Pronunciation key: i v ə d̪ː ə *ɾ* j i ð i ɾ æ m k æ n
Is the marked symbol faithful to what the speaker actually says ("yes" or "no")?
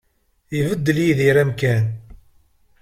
no